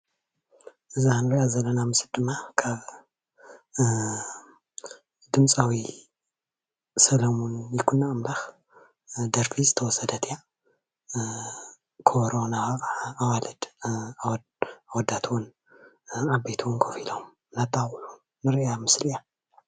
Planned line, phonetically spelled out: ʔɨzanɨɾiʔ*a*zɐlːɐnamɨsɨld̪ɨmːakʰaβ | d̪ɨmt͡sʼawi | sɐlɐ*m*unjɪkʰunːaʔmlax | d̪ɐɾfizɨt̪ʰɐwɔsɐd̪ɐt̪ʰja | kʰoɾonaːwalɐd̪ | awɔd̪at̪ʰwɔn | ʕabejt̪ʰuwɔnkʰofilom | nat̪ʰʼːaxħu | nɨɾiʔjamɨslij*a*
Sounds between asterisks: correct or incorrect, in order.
correct, correct, correct

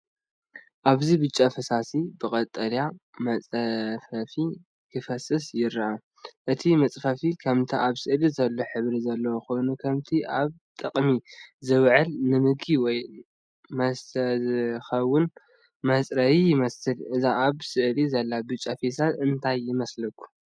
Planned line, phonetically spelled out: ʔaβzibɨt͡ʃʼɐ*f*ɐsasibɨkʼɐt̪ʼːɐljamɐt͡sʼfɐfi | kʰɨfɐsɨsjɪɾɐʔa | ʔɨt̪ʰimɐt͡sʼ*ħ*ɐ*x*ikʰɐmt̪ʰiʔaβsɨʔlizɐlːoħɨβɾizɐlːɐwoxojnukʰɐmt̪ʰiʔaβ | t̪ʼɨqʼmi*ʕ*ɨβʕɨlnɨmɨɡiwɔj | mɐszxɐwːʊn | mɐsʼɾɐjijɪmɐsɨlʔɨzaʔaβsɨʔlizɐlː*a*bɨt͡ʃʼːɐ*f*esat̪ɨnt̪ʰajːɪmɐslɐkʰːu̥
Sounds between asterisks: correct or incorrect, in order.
correct, incorrect: f, incorrect: f, incorrect: z, correct, correct

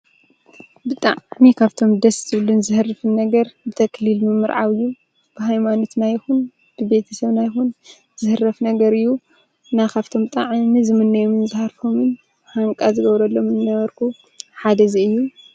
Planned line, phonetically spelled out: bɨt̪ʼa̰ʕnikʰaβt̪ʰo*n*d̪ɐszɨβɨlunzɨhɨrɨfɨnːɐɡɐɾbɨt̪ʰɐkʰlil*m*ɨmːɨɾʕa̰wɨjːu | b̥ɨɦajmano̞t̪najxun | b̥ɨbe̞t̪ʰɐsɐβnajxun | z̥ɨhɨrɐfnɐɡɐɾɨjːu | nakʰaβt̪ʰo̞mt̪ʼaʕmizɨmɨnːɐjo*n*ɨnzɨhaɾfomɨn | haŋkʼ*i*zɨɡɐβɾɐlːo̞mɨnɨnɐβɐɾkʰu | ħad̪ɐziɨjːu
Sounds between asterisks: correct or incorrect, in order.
incorrect: m, correct, incorrect: m, incorrect: a

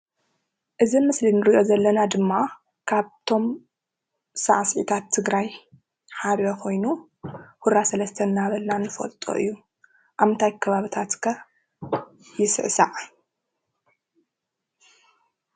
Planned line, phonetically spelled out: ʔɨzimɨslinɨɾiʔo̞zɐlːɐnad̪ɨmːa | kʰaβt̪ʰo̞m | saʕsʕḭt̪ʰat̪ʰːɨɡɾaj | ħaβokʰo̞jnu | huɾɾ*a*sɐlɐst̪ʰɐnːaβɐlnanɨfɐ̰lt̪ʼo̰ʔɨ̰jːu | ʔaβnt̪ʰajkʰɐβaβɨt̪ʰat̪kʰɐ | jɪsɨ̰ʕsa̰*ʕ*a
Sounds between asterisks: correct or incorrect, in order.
correct, correct

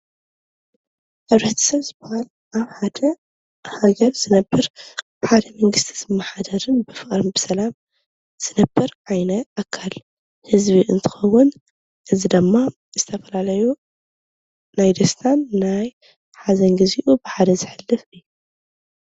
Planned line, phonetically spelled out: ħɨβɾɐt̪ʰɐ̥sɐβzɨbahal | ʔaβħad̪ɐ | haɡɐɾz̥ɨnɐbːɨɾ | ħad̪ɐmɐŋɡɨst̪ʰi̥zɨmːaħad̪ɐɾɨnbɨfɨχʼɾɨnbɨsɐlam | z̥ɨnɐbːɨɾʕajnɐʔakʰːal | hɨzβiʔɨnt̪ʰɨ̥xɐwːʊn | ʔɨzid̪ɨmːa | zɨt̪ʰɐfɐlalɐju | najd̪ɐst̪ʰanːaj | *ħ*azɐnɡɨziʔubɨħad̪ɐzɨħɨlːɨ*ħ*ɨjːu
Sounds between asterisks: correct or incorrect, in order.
correct, incorrect: f

